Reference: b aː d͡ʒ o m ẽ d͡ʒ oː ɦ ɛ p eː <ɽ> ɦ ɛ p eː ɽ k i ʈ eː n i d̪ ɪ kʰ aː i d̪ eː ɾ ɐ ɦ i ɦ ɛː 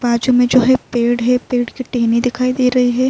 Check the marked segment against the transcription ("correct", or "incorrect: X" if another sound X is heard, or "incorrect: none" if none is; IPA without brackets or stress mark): correct